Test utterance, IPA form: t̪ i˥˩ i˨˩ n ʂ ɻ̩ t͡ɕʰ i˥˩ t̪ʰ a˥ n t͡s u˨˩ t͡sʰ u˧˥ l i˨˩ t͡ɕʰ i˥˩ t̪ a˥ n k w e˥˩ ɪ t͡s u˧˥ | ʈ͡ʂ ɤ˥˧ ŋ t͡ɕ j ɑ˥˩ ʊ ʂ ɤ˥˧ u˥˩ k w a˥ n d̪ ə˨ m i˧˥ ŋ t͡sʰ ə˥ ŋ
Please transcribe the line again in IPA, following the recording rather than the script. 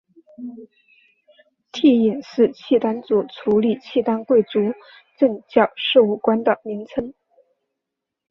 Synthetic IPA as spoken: t̪ʰ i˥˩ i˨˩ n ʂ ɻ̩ t͡ɕʰ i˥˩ t̪ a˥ n t͡s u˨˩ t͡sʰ u˧˥ l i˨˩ t͡ɕʰ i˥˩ t̪ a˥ n k w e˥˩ ɪ t͡s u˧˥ | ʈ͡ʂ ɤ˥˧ ŋ t͡ɕ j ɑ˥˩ ʊ ʂ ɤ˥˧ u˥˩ k w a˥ n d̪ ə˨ m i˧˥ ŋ t͡sʰ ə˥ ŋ